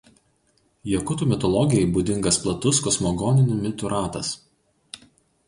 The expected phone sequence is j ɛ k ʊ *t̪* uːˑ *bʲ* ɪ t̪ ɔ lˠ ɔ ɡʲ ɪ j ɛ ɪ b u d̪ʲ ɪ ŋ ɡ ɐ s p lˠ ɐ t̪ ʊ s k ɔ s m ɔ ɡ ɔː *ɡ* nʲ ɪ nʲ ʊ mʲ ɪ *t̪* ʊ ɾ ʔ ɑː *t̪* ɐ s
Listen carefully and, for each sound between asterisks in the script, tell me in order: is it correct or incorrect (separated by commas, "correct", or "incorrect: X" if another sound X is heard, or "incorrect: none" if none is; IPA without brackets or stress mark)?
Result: correct, incorrect: mʲ, incorrect: none, correct, correct